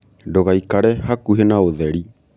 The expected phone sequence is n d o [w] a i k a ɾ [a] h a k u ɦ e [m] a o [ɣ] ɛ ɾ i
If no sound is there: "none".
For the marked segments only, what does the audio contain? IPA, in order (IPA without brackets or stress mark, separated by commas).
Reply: ɣ, ɛ, n, ð